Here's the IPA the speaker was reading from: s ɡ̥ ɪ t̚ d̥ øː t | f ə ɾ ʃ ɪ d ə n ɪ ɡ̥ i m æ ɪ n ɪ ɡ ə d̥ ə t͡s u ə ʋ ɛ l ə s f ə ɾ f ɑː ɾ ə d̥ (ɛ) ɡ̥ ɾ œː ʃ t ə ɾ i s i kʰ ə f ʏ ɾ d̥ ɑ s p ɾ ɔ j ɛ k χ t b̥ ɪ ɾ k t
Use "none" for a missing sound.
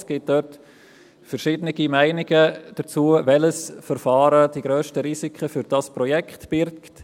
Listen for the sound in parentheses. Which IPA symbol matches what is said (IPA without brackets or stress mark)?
i